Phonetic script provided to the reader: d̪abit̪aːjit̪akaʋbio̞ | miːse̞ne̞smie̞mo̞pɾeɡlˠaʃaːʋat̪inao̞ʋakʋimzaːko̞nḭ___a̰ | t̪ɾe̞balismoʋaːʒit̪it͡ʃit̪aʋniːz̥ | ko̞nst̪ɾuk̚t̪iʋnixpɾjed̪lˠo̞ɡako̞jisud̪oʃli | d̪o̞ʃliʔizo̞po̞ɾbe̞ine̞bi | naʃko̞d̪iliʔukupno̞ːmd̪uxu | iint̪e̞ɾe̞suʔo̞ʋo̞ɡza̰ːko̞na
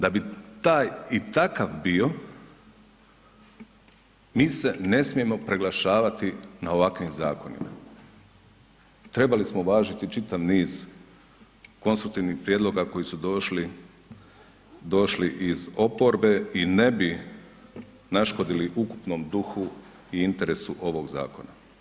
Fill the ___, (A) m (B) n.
A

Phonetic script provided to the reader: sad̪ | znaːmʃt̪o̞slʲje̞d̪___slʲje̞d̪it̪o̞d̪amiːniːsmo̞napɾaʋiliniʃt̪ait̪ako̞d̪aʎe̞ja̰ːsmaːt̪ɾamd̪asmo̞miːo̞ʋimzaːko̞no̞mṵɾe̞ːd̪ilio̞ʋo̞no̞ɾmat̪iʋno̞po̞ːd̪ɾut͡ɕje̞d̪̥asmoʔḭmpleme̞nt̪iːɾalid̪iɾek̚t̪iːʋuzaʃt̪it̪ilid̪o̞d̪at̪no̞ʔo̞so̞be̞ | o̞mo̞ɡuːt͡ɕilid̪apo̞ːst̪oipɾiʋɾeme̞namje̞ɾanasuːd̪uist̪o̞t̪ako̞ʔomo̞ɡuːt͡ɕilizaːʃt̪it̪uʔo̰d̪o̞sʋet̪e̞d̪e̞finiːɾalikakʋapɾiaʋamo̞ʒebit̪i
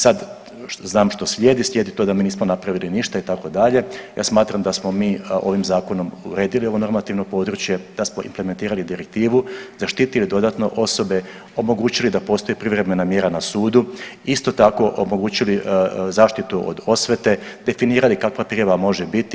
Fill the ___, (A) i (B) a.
A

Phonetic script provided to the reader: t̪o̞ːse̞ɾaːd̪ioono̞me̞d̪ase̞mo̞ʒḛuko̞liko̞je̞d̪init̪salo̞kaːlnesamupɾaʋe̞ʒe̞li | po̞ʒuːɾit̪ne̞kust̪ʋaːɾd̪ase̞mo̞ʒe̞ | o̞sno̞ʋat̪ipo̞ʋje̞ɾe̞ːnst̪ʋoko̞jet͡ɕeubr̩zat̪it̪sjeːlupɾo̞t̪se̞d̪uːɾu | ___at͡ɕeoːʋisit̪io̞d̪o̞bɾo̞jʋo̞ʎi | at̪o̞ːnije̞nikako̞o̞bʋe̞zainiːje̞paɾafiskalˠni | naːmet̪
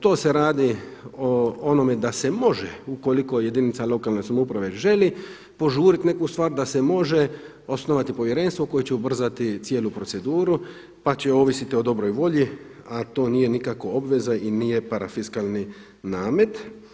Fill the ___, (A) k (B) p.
B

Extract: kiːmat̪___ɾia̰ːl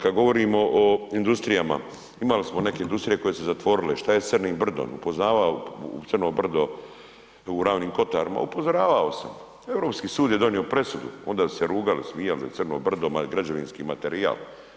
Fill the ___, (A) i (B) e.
B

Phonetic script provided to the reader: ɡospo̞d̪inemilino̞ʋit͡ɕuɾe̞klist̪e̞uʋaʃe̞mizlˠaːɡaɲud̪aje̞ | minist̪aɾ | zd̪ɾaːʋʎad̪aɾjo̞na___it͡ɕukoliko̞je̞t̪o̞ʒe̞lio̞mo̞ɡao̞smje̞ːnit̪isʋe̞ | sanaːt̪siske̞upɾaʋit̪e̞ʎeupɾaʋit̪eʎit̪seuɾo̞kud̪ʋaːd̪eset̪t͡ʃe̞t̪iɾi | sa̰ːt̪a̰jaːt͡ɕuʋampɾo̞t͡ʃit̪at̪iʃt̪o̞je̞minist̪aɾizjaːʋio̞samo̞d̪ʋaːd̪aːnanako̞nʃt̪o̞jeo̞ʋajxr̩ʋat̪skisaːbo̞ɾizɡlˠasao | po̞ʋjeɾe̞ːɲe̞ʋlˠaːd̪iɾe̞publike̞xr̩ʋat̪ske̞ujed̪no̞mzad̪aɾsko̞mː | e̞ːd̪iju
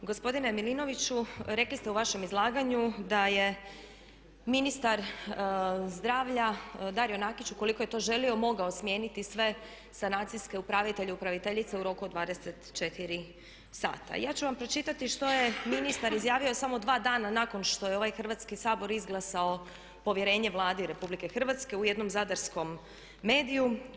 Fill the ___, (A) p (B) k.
B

